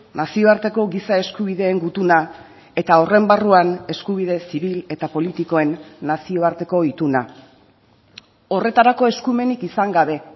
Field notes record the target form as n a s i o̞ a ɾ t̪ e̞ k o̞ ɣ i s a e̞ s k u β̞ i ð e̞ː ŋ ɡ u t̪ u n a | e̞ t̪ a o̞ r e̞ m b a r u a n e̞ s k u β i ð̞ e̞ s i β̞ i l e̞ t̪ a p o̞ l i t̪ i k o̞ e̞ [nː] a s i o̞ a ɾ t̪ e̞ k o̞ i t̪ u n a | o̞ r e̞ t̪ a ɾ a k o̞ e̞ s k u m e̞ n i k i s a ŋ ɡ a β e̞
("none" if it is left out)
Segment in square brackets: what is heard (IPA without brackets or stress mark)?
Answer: nː